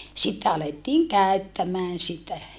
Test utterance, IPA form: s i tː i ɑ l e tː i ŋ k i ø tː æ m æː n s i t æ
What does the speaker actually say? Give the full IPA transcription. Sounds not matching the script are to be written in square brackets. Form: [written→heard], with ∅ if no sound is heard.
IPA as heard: s i tː [i→e] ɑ l e tː [i→iː] ŋ k [i→æ] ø tː æ m æː n s i t æ